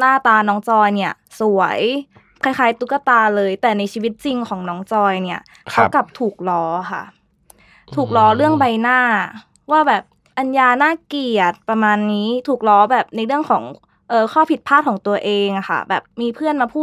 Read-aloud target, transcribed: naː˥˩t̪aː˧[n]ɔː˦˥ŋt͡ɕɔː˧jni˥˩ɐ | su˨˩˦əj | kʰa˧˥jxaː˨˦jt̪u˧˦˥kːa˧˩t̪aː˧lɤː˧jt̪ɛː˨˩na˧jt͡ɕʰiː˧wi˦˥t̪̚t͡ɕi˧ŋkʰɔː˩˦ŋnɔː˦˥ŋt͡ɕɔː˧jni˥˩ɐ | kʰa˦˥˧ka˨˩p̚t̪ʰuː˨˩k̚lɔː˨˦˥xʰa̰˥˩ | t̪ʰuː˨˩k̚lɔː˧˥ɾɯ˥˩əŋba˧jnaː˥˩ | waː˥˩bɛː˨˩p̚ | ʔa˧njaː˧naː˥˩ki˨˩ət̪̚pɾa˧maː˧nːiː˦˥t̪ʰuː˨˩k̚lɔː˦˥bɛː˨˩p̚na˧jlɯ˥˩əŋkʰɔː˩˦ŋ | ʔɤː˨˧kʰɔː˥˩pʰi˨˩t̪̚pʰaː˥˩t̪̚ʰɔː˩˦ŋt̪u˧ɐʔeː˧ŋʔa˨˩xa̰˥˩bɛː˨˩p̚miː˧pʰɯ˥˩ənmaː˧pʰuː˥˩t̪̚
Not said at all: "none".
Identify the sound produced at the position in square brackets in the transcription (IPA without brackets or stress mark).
n